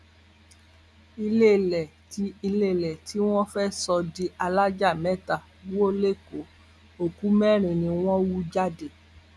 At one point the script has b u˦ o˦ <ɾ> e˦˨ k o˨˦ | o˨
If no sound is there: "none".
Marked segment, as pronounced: l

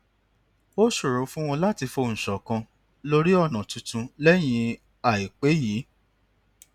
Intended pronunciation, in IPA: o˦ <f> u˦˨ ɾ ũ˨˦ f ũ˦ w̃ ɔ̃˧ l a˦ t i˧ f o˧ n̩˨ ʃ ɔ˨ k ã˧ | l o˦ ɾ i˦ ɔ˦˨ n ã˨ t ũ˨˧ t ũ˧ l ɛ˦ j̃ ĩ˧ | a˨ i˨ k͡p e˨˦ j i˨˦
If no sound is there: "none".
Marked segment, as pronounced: ʃ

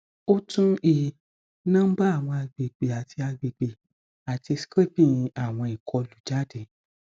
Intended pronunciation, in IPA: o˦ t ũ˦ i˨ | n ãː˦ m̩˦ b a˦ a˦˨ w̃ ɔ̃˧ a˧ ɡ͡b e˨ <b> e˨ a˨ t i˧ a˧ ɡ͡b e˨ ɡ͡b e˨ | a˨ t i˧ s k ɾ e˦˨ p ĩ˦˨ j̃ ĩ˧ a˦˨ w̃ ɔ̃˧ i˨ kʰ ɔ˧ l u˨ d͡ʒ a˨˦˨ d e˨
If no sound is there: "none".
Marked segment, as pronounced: ɡ͡b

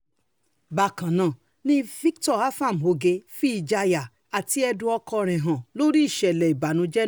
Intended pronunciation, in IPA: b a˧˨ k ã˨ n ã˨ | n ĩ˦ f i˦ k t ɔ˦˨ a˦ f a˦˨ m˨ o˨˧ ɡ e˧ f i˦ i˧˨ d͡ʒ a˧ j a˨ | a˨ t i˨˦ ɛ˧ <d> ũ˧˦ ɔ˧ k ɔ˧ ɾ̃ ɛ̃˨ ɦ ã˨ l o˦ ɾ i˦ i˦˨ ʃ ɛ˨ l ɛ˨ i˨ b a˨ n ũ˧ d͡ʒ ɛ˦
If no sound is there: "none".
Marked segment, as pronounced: d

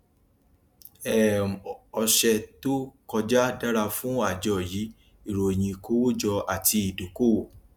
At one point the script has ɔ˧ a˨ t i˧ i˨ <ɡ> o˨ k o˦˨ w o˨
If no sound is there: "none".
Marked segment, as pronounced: d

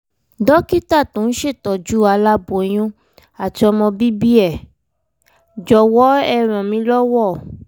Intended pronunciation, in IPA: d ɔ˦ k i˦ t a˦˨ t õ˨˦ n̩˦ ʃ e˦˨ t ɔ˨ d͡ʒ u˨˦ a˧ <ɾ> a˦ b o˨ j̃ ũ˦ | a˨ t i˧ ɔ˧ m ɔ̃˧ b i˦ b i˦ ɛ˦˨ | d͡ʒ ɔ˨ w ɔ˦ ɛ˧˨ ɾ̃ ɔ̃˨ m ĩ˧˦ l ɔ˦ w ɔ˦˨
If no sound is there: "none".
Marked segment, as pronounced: l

